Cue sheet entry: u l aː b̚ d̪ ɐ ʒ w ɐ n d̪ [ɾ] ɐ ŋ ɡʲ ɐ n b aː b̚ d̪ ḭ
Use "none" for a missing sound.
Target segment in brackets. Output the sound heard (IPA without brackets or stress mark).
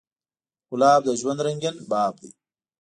ɾ